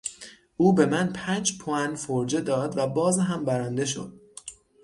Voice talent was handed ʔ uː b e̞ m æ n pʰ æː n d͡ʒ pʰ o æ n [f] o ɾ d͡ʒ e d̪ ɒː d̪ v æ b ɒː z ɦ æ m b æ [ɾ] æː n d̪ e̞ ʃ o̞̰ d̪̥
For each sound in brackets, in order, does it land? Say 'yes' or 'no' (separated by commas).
yes, yes